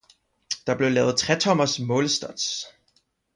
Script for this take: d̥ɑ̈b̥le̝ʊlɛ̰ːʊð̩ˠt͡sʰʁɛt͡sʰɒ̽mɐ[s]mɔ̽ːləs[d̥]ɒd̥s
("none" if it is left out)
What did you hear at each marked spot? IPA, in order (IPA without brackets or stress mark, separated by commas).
s, d̥